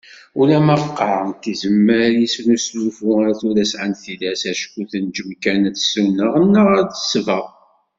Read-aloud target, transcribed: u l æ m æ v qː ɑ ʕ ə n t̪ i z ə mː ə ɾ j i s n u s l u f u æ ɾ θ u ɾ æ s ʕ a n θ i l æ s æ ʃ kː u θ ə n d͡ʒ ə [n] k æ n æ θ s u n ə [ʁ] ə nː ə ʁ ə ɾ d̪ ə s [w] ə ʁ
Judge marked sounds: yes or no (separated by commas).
no, yes, no